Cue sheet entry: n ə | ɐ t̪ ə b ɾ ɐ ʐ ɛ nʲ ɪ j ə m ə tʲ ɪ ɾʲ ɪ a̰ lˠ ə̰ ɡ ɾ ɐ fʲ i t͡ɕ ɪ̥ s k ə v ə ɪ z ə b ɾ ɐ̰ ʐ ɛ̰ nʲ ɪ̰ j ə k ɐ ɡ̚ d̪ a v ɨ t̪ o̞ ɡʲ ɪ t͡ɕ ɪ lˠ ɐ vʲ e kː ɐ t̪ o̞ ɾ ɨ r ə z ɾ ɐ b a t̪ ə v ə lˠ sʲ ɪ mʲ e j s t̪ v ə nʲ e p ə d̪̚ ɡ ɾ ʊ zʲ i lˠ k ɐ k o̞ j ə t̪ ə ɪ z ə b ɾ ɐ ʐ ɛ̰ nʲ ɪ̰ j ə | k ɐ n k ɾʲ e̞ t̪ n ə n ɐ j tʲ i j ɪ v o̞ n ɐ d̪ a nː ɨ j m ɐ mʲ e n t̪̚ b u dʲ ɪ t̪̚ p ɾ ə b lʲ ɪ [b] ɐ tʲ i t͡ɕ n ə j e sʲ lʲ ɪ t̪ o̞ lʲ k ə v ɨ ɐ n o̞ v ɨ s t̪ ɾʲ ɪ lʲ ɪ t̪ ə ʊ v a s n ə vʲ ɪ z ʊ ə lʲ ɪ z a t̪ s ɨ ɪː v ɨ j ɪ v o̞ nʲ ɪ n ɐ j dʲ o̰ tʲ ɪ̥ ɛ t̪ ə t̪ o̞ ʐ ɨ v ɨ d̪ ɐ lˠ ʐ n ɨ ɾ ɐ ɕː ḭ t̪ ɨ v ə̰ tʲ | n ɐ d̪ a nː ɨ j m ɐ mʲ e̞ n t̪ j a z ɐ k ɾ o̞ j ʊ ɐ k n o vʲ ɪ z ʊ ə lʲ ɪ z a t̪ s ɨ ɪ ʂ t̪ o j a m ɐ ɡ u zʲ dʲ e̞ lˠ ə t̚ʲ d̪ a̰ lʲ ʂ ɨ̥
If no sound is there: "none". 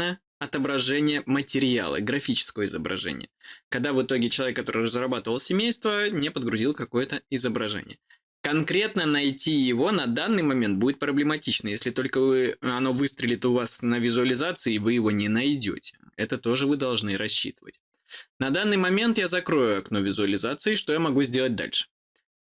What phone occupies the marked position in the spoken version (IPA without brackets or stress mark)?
m